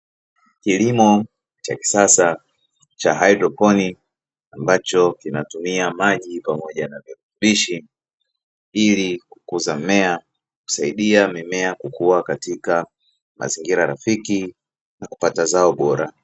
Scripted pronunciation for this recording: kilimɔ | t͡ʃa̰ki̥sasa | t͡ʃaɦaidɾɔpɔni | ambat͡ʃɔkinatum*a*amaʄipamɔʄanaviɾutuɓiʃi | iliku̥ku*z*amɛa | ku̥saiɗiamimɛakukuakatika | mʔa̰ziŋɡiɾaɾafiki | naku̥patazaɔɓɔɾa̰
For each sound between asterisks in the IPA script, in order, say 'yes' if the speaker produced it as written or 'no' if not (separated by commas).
no, yes